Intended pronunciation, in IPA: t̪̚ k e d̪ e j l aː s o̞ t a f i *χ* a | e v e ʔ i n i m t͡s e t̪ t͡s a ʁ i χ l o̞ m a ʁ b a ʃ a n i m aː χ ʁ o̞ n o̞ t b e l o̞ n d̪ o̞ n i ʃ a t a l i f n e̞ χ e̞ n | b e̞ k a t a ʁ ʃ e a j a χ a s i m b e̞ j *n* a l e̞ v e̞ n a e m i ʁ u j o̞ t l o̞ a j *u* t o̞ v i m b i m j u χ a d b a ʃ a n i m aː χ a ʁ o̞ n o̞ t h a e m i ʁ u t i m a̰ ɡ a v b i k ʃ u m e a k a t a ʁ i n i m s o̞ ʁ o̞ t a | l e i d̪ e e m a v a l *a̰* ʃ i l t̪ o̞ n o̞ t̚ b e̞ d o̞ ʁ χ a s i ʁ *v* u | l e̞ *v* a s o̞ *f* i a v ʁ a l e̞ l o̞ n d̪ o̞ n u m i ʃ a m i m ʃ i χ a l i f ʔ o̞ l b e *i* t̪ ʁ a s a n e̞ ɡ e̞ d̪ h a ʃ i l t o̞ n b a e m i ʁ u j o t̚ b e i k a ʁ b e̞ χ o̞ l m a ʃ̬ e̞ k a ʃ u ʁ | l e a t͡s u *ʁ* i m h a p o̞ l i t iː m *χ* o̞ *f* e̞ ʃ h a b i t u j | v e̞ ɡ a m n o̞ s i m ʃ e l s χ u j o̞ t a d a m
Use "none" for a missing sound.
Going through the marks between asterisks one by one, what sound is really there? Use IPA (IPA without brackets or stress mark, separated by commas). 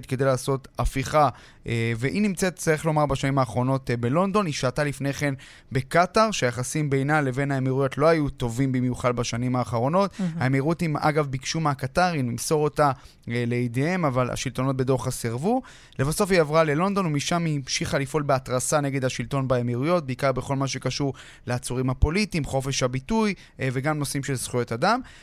χ, n, u, a̰, v, v, f, a, ʁ, χ, f